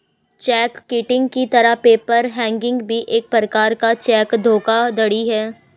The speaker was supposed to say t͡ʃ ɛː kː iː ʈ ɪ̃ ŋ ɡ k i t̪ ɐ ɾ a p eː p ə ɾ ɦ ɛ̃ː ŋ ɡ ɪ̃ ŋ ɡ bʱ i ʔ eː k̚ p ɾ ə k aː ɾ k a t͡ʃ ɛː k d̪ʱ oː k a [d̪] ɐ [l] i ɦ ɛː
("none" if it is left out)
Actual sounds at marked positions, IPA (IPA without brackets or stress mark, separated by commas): d̪, ɽ